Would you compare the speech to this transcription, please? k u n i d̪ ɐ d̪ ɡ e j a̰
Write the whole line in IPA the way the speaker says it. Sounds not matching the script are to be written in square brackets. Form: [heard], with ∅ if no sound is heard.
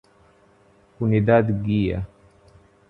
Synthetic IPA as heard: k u n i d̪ [a] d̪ ɡ [i] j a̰